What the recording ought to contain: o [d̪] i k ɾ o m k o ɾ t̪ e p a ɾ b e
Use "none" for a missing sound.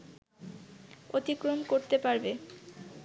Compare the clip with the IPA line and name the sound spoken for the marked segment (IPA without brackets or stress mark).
t̪